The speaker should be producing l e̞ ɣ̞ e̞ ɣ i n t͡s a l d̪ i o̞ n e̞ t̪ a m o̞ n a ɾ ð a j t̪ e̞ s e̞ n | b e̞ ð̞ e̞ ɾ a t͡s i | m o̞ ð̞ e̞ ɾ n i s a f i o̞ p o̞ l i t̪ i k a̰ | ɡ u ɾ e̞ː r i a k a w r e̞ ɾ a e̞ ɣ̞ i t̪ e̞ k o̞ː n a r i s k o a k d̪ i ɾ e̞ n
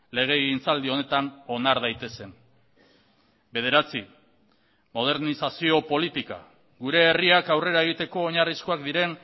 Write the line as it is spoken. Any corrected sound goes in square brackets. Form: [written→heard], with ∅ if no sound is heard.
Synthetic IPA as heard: l e̞ ɣ̞ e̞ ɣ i n t͡s a l d̪ i o̞ n e̞ t̪ a [m→n] o̞ n a ɾ ð a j t̪ e̞ s e̞ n | b e̞ ð̞ e̞ ɾ a t͡s i | m o̞ ð̞ e̞ ɾ n i s a [f→s] i o̞ p o̞ l i t̪ i k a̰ | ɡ u ɾ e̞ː r i a k a w r e̞ ɾ a e̞ ɣ̞ i t̪ e̞ k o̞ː [n→ɲ] a r i s k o a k d̪ i ɾ e̞ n